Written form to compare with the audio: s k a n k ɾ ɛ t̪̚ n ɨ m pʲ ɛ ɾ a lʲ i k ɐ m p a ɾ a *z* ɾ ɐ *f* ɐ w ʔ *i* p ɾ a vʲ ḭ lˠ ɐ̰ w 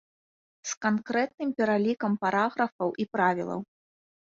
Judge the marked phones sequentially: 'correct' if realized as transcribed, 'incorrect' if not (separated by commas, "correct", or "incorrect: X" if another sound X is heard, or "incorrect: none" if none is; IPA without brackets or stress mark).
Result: incorrect: ɣ, correct, correct